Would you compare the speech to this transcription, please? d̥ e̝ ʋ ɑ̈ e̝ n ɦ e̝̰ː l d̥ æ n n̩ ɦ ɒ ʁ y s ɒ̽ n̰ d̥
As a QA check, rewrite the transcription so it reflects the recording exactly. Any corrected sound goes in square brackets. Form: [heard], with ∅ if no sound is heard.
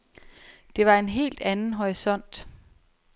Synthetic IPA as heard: d̥ e̝ ʋ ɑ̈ e̝ n ɦ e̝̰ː l d̥ æ n n̩ ɦ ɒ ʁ [i] s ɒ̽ n̰ d̥